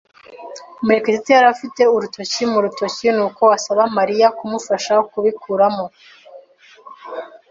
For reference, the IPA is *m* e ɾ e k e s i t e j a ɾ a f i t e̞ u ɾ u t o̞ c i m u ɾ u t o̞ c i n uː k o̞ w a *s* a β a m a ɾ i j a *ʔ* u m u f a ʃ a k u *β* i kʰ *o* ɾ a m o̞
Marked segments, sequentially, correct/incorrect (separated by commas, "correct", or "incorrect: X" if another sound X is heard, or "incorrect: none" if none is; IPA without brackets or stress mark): correct, correct, incorrect: k, correct, incorrect: u